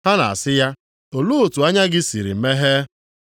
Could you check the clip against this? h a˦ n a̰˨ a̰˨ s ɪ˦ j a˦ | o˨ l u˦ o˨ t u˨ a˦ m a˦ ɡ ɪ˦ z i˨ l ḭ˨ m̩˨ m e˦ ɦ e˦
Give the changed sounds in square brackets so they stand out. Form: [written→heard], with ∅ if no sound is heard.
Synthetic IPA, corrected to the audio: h a˦ n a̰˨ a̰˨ s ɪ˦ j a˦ | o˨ l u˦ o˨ t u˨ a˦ [m→ɲ] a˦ ɡ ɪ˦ [z→s] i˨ [l→ɾ] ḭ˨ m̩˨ m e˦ ɦ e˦